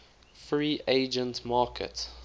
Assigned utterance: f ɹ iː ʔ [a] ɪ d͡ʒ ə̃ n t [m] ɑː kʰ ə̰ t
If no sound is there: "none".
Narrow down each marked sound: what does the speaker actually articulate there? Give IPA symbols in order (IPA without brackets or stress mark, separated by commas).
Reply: e, m